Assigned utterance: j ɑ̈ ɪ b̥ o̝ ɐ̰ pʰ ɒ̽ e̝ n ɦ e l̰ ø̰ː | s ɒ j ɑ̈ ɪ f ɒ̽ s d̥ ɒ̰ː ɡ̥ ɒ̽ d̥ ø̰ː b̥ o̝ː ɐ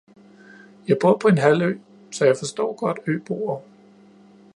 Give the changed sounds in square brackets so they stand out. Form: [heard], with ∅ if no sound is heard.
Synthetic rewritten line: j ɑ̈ ɪ b̥ o̝ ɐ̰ pʰ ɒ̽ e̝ n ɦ [æ] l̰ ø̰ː | s ɒ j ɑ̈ ɪ f ɒ̽ s d̥ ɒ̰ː ɡ̥ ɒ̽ d̥ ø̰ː b̥ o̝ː ɐ